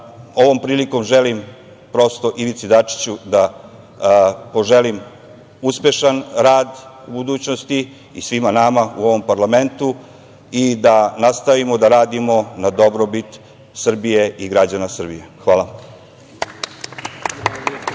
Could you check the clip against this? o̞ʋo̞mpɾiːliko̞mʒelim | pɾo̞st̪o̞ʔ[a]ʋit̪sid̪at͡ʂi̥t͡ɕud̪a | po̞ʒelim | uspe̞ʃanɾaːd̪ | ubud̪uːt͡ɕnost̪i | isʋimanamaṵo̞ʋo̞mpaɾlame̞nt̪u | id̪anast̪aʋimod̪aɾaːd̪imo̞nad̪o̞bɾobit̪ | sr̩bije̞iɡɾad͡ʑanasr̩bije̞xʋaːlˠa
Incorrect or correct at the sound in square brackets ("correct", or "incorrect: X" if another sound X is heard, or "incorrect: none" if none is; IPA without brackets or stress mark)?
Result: incorrect: i